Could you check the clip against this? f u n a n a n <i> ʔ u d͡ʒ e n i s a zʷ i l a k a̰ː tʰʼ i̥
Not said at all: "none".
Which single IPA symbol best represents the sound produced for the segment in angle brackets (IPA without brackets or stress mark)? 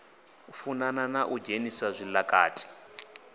a